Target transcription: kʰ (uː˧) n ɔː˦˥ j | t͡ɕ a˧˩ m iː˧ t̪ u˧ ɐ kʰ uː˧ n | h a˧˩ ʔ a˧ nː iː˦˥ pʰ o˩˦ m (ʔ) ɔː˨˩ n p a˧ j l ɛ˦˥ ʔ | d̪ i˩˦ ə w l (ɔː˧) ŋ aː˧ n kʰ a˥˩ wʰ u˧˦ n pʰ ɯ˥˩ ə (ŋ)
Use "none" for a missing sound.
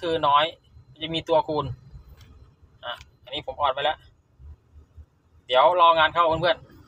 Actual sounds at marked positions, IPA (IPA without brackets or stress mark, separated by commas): ɯː˧, ʔ, ɔː˧, n